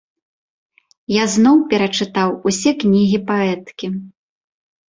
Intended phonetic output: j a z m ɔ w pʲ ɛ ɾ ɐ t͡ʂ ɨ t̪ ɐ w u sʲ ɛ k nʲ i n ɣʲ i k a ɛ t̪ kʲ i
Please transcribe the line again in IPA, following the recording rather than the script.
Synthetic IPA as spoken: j a z n ɔ w pʲ ɛ ɾ ɐ t͡ʂ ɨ t̪ a w u sʲ ɛ k nʲ i ɣʲ i p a ɛ t̪ kʲ i